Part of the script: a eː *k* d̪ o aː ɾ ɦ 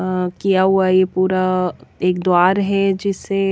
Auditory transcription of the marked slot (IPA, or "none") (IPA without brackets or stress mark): k